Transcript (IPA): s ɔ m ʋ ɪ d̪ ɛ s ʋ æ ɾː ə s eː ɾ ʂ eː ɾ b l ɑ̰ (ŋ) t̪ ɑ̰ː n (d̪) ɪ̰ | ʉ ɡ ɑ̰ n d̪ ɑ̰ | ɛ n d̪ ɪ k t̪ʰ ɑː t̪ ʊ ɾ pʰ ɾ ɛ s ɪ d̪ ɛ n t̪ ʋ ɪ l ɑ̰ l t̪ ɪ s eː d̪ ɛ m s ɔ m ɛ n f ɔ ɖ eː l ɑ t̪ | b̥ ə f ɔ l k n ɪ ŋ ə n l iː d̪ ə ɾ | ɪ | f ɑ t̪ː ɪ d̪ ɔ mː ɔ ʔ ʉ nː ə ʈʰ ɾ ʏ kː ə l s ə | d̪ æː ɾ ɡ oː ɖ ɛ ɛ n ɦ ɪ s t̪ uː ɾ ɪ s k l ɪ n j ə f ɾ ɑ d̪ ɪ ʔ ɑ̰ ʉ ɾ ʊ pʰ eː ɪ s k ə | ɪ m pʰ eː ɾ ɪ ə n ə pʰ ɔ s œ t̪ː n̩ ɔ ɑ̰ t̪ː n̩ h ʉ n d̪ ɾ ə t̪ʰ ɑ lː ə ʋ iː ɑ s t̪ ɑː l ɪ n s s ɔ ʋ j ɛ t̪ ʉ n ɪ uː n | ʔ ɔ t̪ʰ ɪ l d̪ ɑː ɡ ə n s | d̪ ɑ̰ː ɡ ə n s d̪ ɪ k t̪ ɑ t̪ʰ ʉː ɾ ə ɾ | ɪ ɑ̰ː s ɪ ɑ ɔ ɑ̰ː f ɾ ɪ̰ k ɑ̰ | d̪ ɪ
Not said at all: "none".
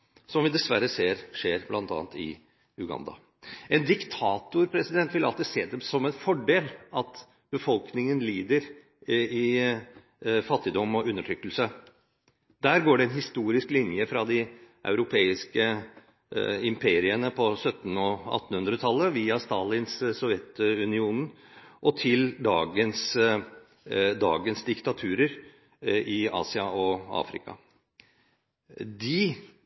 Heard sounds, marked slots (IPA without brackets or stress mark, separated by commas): n, t̪